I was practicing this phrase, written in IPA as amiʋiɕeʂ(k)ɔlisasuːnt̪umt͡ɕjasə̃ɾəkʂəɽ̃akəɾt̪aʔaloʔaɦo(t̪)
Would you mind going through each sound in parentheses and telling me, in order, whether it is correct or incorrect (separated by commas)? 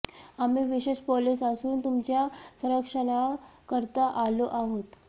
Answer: incorrect, correct